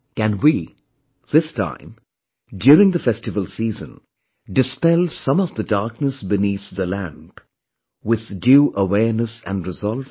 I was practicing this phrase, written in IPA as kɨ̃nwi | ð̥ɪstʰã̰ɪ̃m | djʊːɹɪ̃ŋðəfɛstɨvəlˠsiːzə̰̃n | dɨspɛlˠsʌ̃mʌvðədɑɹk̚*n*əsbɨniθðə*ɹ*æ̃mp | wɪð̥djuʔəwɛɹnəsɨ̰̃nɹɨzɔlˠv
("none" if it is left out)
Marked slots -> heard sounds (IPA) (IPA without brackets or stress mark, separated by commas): n, l